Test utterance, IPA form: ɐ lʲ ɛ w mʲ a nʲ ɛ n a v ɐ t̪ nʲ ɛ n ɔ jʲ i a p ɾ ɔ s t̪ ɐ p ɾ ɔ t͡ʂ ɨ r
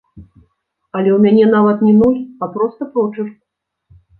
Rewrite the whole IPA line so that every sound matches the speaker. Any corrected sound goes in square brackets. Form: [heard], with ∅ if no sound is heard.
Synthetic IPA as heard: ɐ lʲ ɛ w mʲ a nʲ ɛ n a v ɐ t̪ nʲ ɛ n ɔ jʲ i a p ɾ ɔ s t̪ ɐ p ɾ ɔ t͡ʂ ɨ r